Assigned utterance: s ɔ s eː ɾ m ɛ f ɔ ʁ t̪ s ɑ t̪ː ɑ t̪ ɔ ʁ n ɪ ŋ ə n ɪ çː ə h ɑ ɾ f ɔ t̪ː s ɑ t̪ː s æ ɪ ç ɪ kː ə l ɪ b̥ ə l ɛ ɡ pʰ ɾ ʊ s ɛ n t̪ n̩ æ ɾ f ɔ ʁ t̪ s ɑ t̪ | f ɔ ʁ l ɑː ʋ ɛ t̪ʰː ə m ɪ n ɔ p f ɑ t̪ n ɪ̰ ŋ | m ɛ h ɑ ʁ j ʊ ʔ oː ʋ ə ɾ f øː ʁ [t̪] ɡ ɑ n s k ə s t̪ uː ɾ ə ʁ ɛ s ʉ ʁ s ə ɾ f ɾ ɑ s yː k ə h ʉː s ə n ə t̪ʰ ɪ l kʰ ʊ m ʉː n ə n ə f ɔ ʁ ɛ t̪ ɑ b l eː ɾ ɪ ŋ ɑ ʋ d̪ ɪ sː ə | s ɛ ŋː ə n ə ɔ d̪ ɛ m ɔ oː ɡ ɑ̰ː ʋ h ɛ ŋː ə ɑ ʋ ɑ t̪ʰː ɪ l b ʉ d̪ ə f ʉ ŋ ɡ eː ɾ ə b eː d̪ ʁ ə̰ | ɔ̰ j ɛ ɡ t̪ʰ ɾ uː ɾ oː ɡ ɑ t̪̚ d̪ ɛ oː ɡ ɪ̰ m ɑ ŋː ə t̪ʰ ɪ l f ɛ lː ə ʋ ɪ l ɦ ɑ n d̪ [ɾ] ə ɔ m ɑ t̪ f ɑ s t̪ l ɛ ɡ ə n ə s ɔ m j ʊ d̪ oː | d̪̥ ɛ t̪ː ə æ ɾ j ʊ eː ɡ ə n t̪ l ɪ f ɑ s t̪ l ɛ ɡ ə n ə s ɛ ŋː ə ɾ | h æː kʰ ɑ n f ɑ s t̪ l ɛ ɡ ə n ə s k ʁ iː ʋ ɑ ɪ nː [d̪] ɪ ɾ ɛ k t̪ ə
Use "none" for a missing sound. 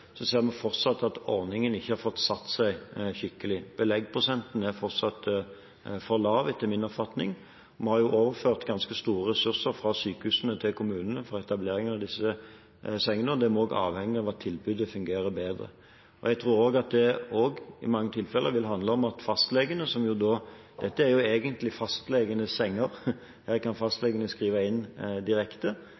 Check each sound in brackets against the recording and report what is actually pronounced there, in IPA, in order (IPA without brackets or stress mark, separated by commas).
t̪, l, d̪